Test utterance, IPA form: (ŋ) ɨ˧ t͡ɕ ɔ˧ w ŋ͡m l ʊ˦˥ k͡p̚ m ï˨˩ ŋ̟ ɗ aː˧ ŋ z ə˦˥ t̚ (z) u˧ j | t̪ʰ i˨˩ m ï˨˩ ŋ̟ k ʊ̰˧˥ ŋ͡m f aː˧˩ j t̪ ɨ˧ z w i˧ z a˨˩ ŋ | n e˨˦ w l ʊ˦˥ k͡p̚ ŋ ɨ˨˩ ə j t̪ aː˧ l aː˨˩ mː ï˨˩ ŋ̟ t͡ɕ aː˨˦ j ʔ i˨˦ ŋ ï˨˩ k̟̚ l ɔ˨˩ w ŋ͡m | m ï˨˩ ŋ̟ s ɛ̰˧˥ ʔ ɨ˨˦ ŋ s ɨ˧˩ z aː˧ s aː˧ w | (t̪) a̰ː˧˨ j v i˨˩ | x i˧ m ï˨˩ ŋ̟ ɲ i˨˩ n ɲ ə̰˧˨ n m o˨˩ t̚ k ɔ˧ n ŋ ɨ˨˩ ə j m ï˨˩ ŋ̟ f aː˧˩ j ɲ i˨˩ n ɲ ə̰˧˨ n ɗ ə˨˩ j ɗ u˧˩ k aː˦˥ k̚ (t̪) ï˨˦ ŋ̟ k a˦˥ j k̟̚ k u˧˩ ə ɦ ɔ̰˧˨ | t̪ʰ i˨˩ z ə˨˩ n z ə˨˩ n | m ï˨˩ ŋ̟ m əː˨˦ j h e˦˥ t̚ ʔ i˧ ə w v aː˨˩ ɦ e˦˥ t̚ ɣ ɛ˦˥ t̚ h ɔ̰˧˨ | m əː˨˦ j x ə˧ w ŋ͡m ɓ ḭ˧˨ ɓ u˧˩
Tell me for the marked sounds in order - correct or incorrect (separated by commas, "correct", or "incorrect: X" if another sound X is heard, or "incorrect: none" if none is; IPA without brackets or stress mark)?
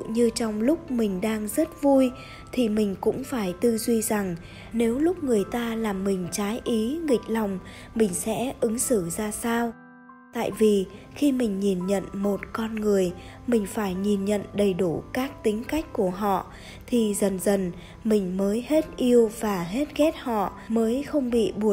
incorrect: ɲ, incorrect: v, correct, correct